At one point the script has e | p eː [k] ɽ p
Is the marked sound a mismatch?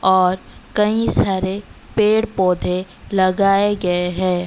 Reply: yes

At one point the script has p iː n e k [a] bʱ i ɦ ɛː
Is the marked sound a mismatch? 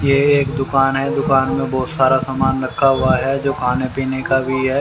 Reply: no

